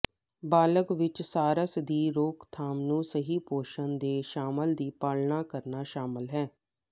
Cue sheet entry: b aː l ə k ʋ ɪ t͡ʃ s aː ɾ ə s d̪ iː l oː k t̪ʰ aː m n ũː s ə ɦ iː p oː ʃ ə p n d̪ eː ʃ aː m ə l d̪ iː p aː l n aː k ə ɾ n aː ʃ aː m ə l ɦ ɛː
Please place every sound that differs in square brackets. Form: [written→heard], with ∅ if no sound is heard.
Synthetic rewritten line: b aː l ə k ʋ ɪ t͡ʃ s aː ɾ ə s d̪ iː [l→ɾ] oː k t̪ʰ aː m n ũː s ə ɦ iː p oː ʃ ə [p→∅] n d̪ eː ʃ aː m ə l d̪ iː p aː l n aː k ə ɾ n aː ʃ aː m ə l ɦ ɛː